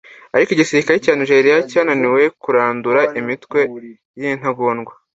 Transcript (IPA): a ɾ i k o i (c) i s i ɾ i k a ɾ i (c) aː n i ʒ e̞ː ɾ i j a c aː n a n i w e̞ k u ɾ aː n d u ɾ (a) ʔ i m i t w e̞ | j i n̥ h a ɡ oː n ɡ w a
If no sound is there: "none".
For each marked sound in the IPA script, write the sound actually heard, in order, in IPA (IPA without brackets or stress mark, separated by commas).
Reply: ɟ, c, a